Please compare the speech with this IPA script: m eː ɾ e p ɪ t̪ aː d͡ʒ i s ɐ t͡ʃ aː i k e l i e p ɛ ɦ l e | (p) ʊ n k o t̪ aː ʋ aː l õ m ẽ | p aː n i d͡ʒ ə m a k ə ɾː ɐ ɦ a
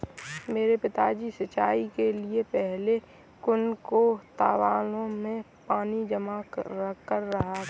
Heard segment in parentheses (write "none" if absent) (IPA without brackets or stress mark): k